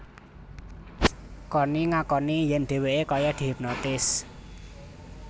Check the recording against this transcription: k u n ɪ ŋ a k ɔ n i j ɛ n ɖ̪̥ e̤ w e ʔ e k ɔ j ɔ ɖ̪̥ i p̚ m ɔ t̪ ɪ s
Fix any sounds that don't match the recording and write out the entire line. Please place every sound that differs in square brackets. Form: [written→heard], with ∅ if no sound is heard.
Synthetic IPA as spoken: k [u→ɔ] n [ɪ→i] ŋ a k ɔ n i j ɛ n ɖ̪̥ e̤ w e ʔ e k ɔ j ɔ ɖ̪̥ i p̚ [m→n] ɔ t̪ ɪ s